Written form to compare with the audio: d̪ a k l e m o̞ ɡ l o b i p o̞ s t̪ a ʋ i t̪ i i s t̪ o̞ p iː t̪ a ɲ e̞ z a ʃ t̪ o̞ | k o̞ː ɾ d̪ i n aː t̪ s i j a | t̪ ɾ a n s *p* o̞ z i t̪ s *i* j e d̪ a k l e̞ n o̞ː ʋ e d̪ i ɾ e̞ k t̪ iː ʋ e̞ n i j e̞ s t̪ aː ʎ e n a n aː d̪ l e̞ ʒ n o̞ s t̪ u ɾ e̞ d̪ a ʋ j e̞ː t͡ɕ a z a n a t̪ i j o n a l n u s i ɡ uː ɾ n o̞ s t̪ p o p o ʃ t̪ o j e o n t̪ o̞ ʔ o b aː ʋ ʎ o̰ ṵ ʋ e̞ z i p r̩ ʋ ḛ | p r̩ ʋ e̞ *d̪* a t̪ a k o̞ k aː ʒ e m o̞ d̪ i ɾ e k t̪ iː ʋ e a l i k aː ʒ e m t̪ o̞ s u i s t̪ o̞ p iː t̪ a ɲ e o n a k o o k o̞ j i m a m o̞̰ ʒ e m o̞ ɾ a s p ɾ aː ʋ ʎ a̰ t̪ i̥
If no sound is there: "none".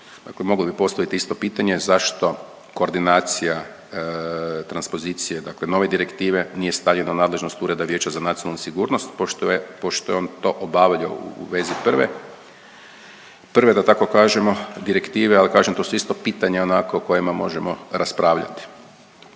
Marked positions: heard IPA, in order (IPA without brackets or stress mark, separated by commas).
p, i, d̪